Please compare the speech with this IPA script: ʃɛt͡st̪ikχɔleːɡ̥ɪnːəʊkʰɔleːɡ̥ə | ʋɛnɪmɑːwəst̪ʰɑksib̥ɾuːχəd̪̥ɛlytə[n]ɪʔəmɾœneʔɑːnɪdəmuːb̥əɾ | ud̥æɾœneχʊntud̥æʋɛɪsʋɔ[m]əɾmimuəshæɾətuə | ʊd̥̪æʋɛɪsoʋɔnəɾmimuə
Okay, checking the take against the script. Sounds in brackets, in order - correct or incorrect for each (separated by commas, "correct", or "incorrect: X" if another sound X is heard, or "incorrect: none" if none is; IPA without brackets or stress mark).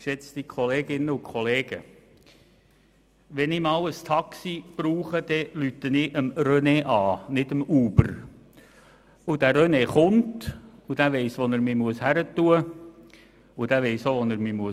correct, incorrect: n